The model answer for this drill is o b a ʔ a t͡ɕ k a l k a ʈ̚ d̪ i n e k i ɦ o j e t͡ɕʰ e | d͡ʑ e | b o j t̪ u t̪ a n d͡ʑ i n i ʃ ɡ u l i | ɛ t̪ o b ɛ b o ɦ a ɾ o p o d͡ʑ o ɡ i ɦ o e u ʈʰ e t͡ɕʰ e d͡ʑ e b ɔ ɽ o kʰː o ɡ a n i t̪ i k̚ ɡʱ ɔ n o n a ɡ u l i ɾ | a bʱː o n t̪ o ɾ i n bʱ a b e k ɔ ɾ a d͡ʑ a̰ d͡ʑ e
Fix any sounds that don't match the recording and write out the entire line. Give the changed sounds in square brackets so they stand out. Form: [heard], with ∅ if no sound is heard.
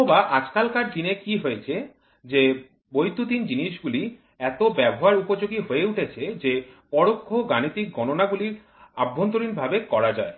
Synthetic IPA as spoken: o b a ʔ a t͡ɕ k a l k a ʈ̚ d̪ i n e k i ɦ o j e t͡ɕʰ e | d͡ʑ e | b o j t̪ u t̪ [i] n d͡ʑ i n i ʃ ɡ u l i | ɛ t̪ o b ɛ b o ɦ a ɾ [u] p o d͡ʑ o ɡ i ɦ o e u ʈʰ e t͡ɕʰ e d͡ʑ e [p] ɔ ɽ o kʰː o ɡ a n i t̪ i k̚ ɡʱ ɔ n o n a ɡ u l i ɾ | a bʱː o n t̪ o ɾ i n bʱ a b e k ɔ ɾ a d͡ʑ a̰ [∅] e

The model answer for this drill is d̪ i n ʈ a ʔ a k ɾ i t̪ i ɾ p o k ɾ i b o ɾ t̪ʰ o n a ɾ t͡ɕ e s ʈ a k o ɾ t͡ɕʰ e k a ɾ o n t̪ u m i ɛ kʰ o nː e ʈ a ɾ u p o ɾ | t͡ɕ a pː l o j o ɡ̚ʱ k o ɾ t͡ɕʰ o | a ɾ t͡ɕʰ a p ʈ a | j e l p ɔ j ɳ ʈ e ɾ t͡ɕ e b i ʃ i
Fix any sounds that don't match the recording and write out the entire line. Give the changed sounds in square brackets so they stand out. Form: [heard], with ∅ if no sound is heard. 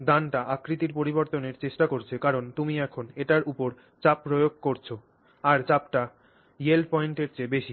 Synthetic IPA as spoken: d̪ [a] n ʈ a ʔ a k ɾ i t̪ i ɾ p o [∅] ɾ i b o ɾ [t̪] o n [e] ɾ t͡ɕ e [ʃ] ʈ a k o ɾ t͡ɕʰ e k a ɾ o n t̪ u m i ɛ kʰ o [n] e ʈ a ɾ u p o ɾ | t͡ɕ a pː [ɾ] o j o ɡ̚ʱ k o ɾ t͡ɕʰ o | a ɾ [t͡ɕ] a p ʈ a | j e l p ɔ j ɳ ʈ e ɾ t͡ɕ e b [e] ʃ i

